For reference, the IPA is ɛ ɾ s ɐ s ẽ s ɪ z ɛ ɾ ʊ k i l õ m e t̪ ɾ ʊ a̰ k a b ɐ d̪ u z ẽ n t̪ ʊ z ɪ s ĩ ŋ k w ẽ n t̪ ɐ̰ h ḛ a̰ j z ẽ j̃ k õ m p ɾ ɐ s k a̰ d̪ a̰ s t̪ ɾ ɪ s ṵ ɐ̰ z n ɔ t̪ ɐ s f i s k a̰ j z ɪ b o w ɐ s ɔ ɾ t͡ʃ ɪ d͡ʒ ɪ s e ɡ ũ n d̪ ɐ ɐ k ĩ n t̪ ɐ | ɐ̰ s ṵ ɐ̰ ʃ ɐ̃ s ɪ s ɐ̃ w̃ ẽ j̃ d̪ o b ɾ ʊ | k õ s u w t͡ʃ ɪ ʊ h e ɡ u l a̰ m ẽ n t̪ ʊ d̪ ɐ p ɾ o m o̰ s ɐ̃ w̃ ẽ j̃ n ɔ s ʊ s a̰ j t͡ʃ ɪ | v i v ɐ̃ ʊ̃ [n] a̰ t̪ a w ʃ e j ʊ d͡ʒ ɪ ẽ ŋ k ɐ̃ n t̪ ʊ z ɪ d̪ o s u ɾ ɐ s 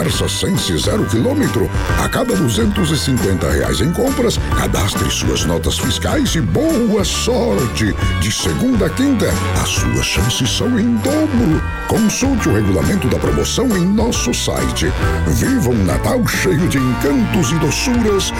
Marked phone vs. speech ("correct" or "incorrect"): correct